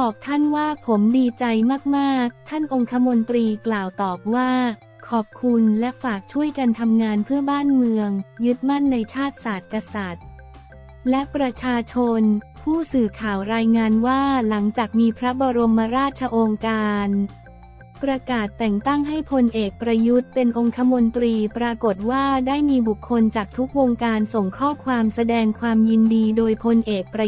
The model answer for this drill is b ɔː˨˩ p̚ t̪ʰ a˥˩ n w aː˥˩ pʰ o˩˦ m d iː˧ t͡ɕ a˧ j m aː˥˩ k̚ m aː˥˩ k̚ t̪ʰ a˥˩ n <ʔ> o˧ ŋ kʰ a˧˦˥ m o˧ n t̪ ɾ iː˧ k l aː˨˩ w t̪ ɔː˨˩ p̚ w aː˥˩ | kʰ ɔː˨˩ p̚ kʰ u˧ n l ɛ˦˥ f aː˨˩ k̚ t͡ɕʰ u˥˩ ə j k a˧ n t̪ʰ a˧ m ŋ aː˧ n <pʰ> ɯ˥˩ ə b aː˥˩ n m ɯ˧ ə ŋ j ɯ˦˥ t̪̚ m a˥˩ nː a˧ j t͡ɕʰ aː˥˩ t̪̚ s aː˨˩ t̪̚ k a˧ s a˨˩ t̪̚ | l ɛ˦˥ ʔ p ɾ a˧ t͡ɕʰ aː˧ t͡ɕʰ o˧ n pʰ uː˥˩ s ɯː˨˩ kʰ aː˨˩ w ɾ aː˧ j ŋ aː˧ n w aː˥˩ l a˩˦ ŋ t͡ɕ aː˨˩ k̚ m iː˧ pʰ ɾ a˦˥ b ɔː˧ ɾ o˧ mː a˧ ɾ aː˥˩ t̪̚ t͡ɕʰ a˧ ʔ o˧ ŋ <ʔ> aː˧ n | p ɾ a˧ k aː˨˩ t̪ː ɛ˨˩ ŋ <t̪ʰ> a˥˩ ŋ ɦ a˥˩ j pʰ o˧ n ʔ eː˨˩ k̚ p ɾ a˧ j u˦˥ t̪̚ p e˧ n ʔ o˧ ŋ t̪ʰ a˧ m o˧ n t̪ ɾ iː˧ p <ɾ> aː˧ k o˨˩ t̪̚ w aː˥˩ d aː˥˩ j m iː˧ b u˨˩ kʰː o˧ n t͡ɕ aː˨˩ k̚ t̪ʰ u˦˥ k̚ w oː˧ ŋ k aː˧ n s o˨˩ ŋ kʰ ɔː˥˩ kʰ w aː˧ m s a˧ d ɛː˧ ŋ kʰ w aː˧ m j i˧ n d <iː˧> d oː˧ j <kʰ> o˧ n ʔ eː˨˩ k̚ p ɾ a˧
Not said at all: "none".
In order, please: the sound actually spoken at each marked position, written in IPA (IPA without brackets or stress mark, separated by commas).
ʔ, pʰ, k, t̪, ɾ, iː˧, pʰ